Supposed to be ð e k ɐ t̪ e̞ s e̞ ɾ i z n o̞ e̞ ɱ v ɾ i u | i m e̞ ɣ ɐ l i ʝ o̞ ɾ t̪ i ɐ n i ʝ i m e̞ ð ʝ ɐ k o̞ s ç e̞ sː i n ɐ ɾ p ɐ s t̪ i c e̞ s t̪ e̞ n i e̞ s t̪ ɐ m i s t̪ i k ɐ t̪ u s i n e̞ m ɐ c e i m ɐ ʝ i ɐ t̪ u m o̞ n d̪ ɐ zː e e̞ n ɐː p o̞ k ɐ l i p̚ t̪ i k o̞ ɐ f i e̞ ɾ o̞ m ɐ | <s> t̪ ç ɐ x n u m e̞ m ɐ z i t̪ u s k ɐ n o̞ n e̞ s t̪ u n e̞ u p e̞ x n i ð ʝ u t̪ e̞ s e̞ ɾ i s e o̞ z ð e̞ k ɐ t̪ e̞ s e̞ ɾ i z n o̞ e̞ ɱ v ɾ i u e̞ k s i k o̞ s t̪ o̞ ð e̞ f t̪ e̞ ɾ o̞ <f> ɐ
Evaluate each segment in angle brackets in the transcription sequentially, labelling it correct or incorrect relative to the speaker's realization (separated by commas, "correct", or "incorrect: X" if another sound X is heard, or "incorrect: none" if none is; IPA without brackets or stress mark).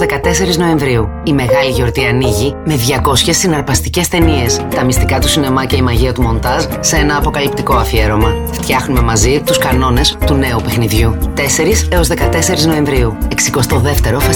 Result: incorrect: f, correct